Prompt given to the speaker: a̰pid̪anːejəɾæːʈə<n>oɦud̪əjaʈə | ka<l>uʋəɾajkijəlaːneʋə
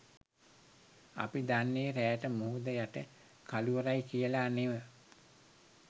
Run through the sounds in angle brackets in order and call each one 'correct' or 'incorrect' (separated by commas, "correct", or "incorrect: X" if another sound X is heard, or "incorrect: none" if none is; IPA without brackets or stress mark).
incorrect: m, correct